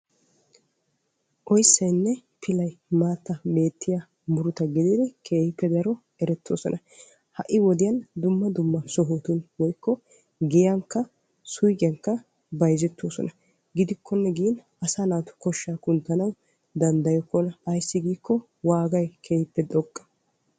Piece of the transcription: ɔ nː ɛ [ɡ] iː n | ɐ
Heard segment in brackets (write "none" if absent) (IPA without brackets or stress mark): ɡ